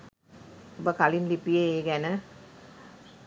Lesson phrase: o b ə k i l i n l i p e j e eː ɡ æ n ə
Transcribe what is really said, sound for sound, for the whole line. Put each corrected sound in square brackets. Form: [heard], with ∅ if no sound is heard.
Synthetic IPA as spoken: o b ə k [a] l i n l i p [i] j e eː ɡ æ n ə

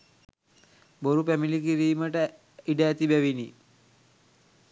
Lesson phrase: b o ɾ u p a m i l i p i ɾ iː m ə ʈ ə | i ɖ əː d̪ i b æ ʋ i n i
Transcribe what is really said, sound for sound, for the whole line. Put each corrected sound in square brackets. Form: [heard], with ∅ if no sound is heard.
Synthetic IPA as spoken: b o ɾ u p [æ] m i l i [k] i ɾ iː m ə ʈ ə | i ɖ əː [t̪] i b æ ʋ i n i

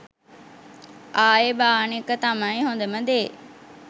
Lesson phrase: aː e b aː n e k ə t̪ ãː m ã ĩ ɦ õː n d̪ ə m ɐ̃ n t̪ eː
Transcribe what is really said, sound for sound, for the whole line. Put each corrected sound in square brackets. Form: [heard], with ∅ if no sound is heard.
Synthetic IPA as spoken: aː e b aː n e k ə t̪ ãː m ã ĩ ɦ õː n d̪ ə m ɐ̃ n [d̪] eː

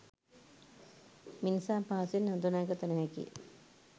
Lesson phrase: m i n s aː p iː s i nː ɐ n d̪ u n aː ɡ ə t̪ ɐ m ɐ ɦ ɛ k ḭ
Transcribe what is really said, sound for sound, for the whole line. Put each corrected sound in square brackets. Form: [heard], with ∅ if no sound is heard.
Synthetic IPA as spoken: m i n s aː p [aː] s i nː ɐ n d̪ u n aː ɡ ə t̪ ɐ [n] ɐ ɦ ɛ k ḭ

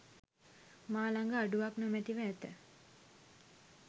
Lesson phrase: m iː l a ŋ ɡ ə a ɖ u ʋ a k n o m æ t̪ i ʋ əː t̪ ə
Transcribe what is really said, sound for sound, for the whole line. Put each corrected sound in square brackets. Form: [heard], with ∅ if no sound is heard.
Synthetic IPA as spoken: m [aː] l a ŋ ɡ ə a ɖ u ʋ a k n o m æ t̪ i ʋ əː t̪ ə

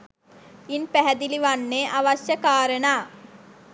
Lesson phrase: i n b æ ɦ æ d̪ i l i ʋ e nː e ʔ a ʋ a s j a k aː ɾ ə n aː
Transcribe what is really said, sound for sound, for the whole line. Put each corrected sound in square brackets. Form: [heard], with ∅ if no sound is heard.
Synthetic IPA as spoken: i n [p] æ ɦ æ d̪ i l i ʋ [a] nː e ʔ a ʋ a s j [ə] k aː ɾ ə n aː

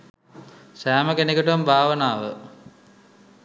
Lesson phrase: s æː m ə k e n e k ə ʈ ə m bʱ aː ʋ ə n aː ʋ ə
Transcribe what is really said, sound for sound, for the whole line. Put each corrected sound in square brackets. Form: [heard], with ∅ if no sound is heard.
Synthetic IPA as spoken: s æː m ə k e n e k ə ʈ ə m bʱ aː ʋ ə n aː ʋ ə

